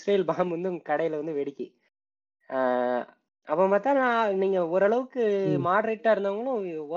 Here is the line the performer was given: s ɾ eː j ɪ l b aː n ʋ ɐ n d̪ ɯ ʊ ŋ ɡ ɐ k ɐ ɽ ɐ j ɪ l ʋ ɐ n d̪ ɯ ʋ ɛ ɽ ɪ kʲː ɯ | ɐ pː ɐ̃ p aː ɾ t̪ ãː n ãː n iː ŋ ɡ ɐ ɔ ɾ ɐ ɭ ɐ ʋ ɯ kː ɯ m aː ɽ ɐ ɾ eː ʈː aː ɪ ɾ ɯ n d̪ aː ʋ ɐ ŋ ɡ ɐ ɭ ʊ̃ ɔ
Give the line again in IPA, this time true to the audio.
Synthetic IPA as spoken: s ɾ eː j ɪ l b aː m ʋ ɐ n d̪ ɯ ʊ ŋ ɡ ɐ k ɐ ɽ ɐ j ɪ l ʋ ɐ n d̪ ɯ ʋ ɛ ɽ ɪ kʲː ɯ | ɐ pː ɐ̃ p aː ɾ t̪ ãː n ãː n iː ŋ ɡ ɐ ɔ ɾ ɐ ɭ ɐ ʋ ɯ kː ɯ m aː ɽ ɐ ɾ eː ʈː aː ɪ ɾ ɯ n d̪ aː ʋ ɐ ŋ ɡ ɐ ɭ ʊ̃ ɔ